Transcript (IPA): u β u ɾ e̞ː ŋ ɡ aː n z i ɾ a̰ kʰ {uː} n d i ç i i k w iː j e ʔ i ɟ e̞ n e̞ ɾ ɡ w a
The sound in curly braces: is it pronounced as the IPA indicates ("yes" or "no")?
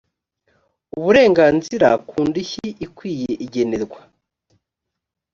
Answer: yes